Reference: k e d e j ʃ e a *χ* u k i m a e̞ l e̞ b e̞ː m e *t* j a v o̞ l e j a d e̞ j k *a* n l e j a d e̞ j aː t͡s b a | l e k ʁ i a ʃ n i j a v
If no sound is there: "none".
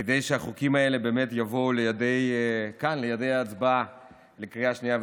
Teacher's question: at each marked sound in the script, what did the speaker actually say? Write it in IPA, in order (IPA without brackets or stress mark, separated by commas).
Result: χ, t, a